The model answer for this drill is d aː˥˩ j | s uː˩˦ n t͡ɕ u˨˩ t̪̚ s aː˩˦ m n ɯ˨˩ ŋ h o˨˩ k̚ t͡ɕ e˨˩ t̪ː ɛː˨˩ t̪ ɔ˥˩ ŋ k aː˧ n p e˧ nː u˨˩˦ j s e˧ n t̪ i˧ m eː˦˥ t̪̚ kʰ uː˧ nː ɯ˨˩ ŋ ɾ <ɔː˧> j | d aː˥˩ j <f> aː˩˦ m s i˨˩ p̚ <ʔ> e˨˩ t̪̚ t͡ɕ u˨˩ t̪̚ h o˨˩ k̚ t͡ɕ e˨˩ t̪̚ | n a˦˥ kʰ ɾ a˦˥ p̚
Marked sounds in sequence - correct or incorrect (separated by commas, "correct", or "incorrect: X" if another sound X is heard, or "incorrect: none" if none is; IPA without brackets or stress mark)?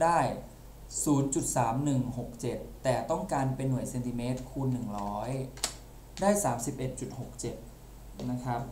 incorrect: ɔː˦˥, incorrect: s, correct